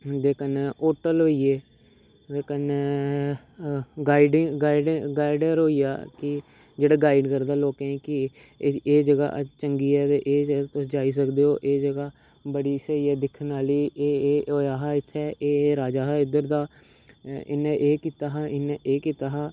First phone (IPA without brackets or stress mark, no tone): d̪